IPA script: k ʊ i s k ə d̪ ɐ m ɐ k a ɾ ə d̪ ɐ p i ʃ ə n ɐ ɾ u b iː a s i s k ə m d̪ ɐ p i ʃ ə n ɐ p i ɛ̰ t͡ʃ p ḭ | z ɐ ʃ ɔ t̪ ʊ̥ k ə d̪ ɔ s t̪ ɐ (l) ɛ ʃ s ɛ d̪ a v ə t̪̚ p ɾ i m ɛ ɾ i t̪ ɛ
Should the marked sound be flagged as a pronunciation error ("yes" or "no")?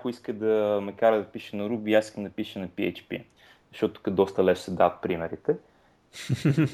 no